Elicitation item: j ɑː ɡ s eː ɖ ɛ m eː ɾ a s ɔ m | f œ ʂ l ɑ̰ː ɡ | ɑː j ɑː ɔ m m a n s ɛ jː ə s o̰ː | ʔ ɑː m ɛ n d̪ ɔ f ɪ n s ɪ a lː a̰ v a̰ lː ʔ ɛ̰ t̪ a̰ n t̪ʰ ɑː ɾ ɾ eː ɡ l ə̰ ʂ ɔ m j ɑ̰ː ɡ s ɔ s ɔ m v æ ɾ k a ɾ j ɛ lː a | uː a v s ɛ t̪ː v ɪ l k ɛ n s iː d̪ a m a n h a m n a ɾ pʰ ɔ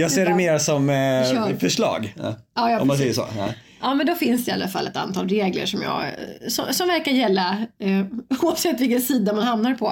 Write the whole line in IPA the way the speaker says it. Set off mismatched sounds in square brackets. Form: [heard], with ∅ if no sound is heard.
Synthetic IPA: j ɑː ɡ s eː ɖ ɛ m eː ɾ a s ɔ m | f œ ʂ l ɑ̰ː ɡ | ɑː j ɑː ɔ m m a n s ɛ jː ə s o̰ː | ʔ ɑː m ɛ n d̪ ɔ f ɪ n s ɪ a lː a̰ [f] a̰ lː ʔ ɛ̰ t̪ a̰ n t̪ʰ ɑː [l] ɾ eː ɡ l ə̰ ʂ ɔ m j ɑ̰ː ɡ s ɔ s ɔ m v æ ɾ k a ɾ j ɛ lː a | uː a v s ɛ t̪ː v ɪ l k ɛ n s iː d̪ a m a n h a m n a ɾ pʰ ɔ